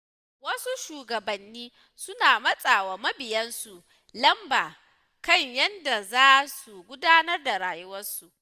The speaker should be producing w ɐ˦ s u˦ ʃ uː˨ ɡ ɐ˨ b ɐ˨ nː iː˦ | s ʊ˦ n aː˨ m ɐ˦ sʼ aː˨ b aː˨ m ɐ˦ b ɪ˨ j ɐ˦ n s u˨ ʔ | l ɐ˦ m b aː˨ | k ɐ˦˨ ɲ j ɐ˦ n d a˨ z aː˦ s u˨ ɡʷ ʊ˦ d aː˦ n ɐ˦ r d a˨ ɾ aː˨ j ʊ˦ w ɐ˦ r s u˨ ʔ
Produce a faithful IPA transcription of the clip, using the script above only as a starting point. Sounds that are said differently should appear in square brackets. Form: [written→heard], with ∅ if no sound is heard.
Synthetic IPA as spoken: w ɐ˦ s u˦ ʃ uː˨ ɡ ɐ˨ b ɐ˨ nː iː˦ | s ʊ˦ n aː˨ m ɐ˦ sʼ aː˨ [b→w] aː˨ m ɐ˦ b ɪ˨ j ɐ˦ n s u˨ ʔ | l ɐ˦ m b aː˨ | k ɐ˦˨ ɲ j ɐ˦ n d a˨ z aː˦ s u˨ ɡʷ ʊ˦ d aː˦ n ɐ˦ r d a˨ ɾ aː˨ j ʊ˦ w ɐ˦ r s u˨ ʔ